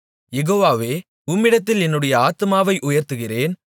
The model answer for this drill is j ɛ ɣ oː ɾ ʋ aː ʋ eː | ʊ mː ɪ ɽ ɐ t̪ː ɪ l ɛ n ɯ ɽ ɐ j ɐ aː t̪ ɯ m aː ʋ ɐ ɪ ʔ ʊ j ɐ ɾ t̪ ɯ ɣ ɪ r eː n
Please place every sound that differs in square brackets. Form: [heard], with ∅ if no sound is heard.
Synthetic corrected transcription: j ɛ ɣ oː [∅] ʋ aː ʋ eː | ʊ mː ɪ ɽ ɐ t̪ː ɪ l ɛ [nː] ɯ ɽ ɐ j ɐ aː t̪ ɯ m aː ʋ ɐ ɪ ʔ ʊ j ɐ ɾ t̪ ɯ ɣ ɪ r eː n